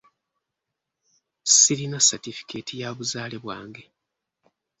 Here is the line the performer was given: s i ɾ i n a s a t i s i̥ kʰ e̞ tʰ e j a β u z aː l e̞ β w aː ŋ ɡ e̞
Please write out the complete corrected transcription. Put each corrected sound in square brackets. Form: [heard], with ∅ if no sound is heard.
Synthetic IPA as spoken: s i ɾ i n a s a t i [f] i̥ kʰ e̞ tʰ [i] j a β u z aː l e̞ β w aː ŋ ɡ e̞

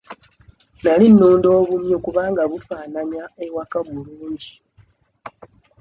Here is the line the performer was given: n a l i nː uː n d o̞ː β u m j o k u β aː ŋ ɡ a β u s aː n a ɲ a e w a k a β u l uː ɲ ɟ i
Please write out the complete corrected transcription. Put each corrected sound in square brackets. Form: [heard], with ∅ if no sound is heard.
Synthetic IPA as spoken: n a l i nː uː n d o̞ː β u m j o k u β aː ŋ ɡ a β u [f] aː n a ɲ a e w a k a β u l uː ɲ ɟ i

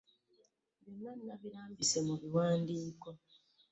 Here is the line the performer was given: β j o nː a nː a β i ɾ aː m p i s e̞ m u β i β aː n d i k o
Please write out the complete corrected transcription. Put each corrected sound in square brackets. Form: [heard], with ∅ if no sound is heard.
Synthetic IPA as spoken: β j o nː a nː a β i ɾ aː m [b] i s e̞ m u β i [w] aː n d [iː] k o

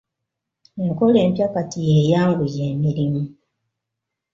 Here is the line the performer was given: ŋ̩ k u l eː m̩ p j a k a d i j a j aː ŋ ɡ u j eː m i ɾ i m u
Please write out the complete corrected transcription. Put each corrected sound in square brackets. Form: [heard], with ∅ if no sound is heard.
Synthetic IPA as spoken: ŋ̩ k [o] l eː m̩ p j a k a [t] i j [e] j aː ŋ ɡ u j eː m i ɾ i m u

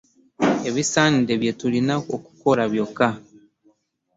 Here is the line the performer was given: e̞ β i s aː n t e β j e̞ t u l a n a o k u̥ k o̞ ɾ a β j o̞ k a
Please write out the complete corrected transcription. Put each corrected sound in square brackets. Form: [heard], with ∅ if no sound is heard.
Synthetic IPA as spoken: e̞ β i s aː n [d] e β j e̞ t u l [i] n a o k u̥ k o̞ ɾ a β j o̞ k a

